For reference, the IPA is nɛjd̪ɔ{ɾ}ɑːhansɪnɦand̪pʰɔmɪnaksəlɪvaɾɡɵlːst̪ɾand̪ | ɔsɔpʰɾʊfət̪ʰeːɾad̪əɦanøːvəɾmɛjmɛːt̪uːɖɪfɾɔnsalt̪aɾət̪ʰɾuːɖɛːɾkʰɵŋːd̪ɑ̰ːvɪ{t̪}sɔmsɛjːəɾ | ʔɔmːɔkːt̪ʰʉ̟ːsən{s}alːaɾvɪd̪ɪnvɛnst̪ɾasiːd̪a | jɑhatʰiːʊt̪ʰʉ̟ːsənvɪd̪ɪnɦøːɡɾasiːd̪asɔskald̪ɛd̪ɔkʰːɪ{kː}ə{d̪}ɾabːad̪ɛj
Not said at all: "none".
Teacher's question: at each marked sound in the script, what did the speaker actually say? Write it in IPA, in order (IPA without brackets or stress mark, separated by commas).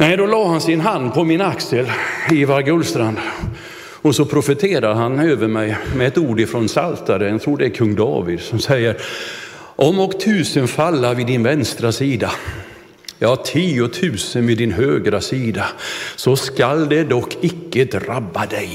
l, d̪, f, kː, d̪